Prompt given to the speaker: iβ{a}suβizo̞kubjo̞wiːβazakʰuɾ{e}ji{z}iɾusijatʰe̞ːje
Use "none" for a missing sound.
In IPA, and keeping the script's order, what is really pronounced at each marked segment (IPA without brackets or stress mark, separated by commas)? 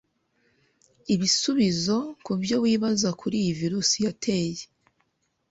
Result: i, i, v